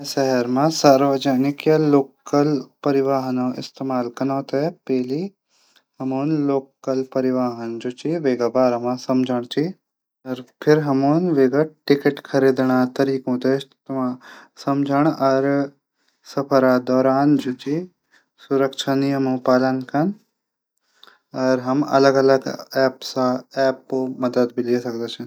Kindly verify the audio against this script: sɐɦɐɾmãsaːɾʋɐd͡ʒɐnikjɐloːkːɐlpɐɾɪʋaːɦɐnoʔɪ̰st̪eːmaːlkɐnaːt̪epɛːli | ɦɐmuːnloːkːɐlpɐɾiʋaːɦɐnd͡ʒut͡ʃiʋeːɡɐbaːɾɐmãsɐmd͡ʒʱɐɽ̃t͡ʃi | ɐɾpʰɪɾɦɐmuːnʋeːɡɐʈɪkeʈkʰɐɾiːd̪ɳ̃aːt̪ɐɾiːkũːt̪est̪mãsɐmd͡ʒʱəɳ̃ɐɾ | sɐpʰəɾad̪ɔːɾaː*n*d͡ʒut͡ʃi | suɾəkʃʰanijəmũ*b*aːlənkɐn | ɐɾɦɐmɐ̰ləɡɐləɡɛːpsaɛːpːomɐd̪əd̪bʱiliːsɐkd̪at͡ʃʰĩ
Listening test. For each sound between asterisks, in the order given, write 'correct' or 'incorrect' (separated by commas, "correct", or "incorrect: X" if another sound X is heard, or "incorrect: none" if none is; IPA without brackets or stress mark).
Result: correct, incorrect: p